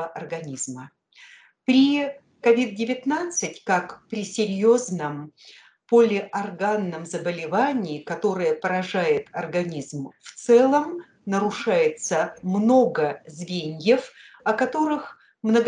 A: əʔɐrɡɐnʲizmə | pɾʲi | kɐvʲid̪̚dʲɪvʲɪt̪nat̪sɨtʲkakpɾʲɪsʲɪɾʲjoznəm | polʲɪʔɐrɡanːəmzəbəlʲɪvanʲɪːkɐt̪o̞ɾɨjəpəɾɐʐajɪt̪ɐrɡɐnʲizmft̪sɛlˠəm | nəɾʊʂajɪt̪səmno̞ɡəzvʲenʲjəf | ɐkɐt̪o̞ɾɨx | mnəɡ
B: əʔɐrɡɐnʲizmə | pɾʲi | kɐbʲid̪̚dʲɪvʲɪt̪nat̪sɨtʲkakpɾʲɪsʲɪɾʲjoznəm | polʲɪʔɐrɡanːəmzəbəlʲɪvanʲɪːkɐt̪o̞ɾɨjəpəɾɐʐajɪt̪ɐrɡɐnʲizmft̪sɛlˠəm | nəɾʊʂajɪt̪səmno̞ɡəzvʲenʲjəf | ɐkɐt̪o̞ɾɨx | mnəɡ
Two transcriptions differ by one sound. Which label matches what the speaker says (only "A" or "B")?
A